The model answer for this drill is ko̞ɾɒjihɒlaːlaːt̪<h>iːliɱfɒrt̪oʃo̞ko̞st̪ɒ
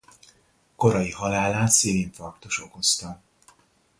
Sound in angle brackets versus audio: incorrect: s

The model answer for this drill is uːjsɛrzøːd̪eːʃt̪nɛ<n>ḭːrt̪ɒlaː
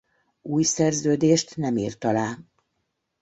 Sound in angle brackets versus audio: incorrect: m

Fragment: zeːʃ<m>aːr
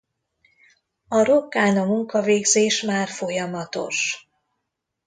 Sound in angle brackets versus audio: correct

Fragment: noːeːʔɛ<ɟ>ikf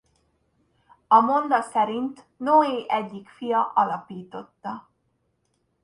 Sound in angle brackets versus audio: incorrect: ɟː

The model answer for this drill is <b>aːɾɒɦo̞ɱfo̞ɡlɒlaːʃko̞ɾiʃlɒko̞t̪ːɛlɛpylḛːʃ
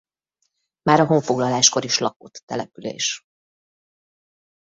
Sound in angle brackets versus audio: incorrect: m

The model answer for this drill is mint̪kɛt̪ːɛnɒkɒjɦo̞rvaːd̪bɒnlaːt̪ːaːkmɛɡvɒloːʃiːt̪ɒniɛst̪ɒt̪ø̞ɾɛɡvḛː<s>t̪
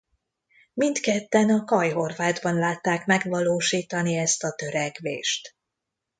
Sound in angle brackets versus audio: incorrect: ʃ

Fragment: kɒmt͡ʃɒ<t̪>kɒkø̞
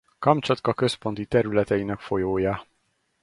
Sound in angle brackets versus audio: correct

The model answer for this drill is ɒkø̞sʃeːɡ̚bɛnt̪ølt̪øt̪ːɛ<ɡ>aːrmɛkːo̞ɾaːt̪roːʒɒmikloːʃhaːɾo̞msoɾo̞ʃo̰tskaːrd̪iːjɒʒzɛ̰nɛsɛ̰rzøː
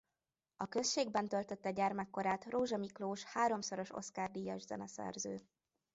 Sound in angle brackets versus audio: incorrect: ɟ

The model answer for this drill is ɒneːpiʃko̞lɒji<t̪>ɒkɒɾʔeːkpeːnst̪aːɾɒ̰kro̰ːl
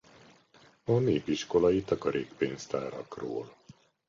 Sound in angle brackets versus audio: correct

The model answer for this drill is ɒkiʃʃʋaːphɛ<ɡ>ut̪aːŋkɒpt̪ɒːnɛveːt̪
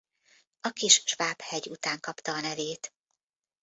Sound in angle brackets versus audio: incorrect: ɟ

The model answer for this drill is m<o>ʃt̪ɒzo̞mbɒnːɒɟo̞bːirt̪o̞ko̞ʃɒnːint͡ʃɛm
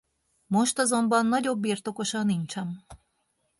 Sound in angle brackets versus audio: correct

